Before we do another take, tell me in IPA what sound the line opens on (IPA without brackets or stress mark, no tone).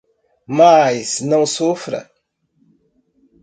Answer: m